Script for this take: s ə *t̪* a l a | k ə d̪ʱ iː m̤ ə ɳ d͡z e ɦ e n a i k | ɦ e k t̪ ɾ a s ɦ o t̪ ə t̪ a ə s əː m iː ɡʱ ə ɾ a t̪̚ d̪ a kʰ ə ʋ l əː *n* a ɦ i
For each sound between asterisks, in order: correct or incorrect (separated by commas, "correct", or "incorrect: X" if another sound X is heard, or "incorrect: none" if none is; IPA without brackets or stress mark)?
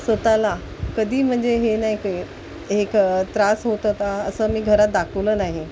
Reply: correct, correct